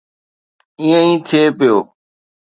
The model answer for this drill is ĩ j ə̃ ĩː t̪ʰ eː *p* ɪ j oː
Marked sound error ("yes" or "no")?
no